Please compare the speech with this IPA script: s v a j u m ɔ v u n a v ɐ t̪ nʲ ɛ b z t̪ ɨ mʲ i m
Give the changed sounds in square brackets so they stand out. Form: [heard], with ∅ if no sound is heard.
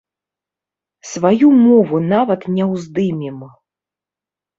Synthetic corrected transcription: s v a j u m ɔ v u n a v ɐ t̪ nʲ ɛ [w] z [d̪] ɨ mʲ i m